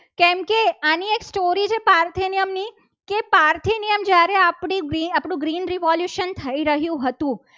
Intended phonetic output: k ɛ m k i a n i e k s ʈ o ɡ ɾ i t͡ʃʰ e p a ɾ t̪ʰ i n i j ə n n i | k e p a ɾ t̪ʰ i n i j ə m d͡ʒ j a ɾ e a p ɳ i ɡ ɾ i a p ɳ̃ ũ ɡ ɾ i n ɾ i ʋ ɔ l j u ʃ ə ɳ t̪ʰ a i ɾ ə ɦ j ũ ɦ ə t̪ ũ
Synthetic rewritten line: k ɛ m k e a n i e k s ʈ o ɾ i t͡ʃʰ e p a ɾ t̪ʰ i n i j ə m n i | k e p a ɾ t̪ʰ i n i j ə m d͡ʒ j a ɾ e a p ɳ i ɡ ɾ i a p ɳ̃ ũ ɡ ɾ i n ɾ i ʋ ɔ l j u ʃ ə n t̪ʰ ə i ɾ ə ɦ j ũ ɦ ə t̪ ũ